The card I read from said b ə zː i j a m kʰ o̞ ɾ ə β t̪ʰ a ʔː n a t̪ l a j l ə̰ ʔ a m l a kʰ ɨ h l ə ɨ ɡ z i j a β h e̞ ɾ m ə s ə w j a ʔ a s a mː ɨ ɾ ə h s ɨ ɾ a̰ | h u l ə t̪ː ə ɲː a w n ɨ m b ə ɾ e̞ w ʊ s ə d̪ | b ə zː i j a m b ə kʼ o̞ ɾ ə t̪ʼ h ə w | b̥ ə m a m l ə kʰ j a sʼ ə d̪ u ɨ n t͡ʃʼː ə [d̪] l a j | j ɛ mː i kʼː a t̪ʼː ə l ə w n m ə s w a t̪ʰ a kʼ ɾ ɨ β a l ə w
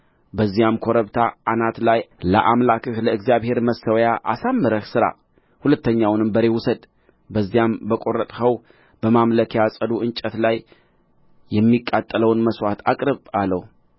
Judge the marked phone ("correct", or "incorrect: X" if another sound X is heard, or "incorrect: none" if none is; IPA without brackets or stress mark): incorrect: t̪